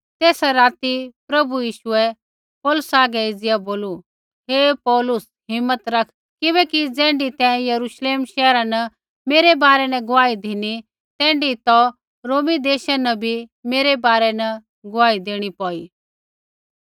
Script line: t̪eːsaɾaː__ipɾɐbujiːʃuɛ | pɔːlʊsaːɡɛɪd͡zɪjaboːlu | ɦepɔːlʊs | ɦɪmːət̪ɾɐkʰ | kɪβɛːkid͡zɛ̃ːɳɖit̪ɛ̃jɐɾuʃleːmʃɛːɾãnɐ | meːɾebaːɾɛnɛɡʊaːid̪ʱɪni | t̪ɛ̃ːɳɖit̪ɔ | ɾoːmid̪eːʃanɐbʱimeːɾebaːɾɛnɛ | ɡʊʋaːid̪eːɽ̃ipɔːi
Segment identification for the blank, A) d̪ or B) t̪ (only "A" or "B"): B